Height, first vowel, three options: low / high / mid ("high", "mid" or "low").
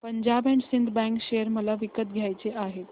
mid